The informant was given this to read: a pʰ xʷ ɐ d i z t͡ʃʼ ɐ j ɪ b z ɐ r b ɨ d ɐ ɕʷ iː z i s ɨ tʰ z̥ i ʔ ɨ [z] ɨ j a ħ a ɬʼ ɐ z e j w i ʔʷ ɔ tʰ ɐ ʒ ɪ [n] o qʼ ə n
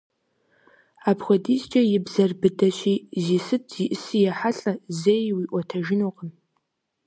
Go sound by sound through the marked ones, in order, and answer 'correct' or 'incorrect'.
incorrect: s, correct

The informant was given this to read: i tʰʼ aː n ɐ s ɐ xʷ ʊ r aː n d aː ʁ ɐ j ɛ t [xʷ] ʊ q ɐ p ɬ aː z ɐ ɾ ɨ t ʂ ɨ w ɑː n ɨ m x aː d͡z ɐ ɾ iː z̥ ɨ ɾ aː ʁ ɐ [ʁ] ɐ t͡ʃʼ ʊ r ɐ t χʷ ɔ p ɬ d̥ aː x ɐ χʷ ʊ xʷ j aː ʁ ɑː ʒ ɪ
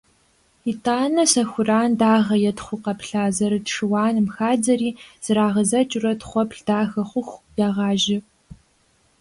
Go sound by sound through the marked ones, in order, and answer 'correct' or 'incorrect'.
incorrect: χʷ, incorrect: z

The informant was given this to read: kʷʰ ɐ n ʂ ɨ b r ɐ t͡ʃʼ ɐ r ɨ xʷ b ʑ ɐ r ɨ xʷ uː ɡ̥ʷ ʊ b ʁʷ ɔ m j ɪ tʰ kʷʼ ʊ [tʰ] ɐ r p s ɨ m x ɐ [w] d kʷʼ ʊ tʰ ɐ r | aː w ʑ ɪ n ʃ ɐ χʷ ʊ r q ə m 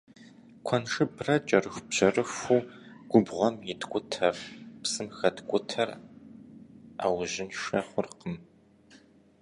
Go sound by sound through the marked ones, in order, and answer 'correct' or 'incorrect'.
correct, incorrect: none

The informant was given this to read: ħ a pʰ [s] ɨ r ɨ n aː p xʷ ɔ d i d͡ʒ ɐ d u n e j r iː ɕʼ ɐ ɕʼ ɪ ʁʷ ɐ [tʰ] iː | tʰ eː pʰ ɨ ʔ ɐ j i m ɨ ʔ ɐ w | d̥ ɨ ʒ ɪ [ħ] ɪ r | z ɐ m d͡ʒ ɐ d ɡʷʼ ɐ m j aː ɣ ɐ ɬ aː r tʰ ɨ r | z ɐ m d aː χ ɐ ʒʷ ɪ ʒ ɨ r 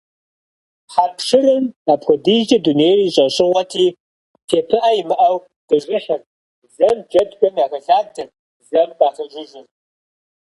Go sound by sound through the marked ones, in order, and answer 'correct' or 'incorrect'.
incorrect: ʂ, correct, correct

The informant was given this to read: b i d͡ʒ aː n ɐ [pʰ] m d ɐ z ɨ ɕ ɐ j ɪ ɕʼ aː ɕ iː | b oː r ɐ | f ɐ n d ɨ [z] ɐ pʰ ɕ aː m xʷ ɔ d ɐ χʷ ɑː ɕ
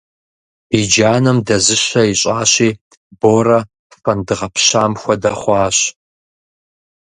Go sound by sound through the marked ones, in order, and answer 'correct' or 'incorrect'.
incorrect: none, incorrect: ʁ

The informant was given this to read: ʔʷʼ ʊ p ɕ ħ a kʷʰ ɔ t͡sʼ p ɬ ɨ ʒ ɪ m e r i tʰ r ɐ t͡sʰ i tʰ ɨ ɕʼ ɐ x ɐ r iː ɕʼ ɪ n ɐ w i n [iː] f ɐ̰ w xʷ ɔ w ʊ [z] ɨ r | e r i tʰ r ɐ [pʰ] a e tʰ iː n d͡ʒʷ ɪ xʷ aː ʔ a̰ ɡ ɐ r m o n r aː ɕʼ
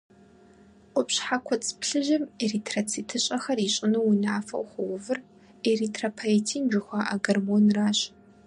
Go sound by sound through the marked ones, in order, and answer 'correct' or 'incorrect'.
incorrect: aː, incorrect: v, correct

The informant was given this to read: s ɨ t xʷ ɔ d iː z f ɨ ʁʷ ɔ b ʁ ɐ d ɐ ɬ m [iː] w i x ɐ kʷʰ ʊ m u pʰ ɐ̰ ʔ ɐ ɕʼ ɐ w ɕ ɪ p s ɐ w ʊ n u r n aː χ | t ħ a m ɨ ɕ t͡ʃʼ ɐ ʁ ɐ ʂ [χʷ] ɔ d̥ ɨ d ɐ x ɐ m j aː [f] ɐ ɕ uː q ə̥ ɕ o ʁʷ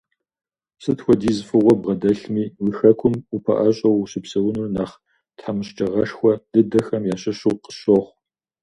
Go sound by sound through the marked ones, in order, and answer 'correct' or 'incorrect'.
correct, incorrect: xʷ, incorrect: ɕ

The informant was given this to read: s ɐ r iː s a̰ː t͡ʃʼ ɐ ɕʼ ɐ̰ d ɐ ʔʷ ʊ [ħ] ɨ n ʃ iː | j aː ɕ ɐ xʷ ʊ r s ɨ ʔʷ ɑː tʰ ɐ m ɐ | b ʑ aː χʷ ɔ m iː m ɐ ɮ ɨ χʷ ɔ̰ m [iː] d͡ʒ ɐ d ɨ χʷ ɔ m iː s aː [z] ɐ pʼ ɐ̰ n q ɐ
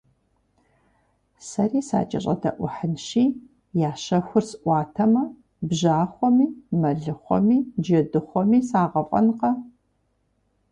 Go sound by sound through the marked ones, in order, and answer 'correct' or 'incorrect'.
correct, correct, incorrect: ʁ

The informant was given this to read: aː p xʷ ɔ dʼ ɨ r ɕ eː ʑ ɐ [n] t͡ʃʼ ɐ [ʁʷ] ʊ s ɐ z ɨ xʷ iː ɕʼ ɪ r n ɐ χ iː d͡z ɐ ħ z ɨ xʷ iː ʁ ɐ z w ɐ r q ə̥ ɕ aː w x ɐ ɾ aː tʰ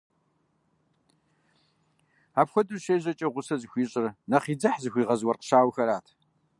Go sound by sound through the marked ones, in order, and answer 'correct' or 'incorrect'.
incorrect: none, correct

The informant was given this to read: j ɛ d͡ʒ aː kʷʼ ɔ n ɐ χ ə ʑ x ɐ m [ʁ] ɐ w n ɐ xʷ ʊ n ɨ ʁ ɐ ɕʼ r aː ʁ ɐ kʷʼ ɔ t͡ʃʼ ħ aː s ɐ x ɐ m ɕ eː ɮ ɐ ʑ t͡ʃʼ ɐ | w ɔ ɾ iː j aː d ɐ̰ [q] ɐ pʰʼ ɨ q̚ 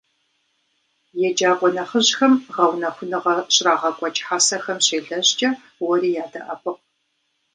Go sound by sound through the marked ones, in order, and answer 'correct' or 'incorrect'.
correct, incorrect: ʔ

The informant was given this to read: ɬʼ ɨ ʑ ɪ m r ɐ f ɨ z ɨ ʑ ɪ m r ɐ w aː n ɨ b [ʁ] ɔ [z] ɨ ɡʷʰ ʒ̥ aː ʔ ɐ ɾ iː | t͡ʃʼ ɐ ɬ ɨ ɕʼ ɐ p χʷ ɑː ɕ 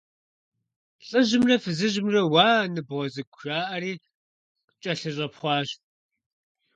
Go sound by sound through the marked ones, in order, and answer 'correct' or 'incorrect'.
correct, correct

